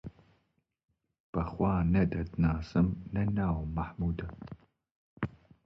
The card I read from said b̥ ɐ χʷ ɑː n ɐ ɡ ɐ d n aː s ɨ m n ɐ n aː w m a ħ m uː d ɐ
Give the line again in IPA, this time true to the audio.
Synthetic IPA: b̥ ɐ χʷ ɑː n ɐ d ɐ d n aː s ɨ m n ɐ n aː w m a ħ m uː d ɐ